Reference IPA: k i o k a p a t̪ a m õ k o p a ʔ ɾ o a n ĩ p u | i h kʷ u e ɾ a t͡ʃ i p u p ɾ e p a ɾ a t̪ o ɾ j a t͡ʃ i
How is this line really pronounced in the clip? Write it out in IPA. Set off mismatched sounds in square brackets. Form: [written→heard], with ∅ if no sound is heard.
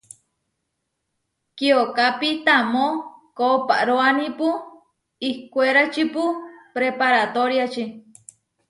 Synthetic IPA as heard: k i o k a p [a→i] t̪ a m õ k o p a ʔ ɾ o a n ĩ p u | i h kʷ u e ɾ a t͡ʃ i p u p ɾ e p a ɾ a t̪ o ɾ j a t͡ʃ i